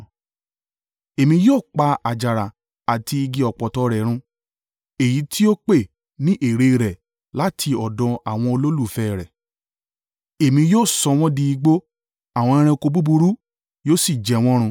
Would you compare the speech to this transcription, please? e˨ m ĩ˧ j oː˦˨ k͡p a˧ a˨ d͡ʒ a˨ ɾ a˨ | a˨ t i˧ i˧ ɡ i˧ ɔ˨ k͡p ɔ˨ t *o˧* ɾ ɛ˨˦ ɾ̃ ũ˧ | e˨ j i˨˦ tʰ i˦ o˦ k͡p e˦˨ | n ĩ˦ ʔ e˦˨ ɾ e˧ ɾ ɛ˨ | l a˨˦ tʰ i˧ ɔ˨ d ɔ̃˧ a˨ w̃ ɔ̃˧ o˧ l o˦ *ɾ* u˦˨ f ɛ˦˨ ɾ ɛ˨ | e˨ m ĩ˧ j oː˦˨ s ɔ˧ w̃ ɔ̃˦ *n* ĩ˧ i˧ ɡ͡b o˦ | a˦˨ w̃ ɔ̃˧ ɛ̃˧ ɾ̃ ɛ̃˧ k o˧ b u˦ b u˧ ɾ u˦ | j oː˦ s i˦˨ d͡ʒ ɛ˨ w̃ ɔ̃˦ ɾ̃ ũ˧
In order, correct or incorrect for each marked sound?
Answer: incorrect: ɔ˧, incorrect: l, incorrect: d

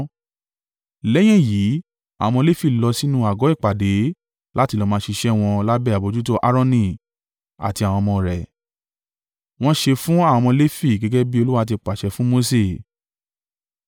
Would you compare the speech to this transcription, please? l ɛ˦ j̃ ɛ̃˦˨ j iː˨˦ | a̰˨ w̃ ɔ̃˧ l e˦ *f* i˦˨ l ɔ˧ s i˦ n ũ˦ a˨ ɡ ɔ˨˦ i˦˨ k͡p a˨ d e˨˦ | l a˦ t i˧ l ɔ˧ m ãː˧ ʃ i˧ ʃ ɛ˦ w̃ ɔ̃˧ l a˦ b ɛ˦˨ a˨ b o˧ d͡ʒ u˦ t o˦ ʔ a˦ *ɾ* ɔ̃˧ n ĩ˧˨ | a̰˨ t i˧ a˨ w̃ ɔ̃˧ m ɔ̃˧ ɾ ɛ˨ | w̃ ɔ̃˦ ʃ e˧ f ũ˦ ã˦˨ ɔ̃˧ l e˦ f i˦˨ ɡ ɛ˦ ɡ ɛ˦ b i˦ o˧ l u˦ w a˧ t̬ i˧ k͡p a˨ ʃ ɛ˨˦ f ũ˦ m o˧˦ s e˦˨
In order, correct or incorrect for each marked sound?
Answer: correct, correct

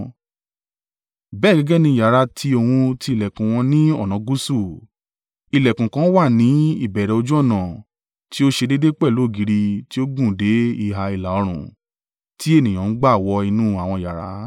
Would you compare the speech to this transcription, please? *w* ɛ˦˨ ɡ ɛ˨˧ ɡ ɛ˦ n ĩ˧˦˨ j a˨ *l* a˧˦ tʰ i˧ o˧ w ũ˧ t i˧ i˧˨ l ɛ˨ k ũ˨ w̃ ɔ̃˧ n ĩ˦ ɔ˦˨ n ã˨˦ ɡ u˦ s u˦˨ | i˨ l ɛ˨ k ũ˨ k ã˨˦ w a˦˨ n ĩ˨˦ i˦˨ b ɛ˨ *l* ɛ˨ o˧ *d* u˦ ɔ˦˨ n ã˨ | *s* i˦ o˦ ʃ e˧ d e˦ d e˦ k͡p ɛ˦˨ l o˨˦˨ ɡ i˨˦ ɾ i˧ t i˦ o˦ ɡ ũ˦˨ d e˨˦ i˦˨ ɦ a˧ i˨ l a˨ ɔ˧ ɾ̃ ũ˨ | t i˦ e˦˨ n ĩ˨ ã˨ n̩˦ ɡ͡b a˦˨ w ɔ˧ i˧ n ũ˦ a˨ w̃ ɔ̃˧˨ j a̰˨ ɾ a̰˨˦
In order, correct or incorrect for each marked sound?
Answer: incorrect: b, incorrect: ɾ, incorrect: ɾ, incorrect: d͡ʒ, incorrect: t

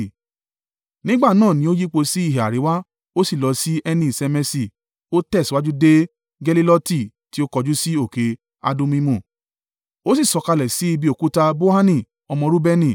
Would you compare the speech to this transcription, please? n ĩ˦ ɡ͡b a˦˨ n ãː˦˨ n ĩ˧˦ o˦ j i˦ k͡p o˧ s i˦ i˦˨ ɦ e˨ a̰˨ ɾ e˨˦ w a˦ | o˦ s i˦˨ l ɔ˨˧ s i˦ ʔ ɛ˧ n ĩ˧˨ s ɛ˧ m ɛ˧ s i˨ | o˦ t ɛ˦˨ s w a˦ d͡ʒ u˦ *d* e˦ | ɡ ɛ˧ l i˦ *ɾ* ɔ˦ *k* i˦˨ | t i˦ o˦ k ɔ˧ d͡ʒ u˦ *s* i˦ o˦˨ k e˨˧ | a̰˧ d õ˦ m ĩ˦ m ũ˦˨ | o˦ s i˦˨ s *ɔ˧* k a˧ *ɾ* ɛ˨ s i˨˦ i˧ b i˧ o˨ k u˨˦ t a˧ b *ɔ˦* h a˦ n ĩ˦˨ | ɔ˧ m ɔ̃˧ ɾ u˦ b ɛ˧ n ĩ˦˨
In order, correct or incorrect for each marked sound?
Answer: correct, incorrect: l, incorrect: t, correct, correct, incorrect: l, incorrect: o˦

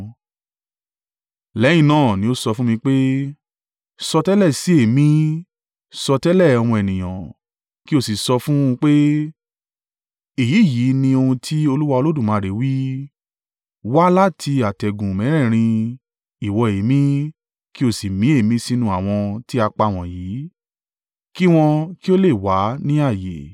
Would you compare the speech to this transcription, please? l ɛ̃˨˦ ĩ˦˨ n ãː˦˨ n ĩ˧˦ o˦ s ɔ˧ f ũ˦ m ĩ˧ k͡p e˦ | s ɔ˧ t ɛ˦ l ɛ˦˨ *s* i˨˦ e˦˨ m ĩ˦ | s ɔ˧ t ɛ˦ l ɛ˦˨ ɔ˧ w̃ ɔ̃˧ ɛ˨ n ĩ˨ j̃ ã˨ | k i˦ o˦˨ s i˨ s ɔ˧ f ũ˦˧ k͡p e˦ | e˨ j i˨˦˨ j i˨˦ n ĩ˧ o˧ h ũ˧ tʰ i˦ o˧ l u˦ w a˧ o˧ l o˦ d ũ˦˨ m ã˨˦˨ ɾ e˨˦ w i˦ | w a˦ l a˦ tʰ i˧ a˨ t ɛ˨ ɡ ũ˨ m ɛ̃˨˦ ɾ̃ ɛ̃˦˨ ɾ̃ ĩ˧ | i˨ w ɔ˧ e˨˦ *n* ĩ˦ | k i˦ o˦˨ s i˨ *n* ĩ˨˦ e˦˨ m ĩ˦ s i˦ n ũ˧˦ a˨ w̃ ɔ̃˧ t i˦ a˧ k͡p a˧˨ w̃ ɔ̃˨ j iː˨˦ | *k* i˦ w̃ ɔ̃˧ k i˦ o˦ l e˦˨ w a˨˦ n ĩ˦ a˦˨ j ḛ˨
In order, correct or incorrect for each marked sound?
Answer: correct, incorrect: m, incorrect: m, correct

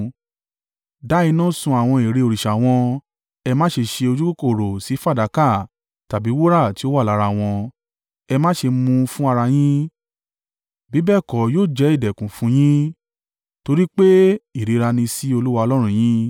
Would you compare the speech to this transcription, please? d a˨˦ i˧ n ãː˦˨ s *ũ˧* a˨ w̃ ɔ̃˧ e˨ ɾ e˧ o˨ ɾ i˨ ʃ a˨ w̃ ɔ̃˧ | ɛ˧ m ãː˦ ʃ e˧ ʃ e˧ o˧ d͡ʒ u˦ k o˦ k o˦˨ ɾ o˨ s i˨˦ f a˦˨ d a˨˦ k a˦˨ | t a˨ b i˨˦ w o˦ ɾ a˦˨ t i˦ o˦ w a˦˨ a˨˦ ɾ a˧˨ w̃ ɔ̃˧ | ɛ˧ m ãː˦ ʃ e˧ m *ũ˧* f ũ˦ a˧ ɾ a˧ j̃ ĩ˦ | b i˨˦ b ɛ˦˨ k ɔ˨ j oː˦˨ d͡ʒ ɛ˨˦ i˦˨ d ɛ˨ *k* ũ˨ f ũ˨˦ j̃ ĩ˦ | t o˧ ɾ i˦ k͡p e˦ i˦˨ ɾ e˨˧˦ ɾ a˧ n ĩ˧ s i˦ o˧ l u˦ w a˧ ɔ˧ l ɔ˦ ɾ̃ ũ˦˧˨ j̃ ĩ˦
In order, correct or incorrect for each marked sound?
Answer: correct, correct, correct

